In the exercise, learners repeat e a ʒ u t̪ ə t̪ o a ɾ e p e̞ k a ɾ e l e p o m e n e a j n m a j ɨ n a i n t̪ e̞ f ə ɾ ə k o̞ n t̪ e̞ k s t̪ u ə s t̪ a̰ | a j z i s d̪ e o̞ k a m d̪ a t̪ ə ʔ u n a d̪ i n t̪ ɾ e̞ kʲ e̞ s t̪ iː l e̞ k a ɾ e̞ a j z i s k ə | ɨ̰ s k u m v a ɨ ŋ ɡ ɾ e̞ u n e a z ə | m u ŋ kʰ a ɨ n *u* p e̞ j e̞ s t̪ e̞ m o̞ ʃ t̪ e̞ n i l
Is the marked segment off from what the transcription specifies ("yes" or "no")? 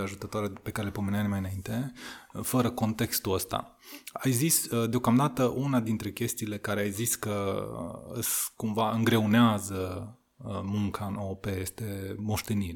yes